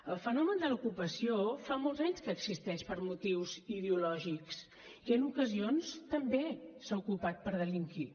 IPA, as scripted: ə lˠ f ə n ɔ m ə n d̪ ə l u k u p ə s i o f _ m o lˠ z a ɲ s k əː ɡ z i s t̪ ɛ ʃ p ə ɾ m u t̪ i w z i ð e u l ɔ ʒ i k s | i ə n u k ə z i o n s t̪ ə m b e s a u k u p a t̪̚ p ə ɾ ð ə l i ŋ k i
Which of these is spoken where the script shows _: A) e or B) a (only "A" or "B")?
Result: B